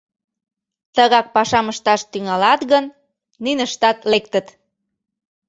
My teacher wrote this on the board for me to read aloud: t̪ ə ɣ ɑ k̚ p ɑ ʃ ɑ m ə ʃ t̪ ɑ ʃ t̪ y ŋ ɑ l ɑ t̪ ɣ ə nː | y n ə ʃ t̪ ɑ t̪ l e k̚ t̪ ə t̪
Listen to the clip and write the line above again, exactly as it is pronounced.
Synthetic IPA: t̪ ə ɣ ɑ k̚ p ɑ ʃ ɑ m ə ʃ t̪ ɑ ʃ t̪ y ŋ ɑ l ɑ t̪ ɣ ə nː | y n ə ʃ t̪ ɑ t̪ l e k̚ t̪ ə t̪